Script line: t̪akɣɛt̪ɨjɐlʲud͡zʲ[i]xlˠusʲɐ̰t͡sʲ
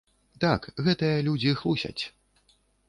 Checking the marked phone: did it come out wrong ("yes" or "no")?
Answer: no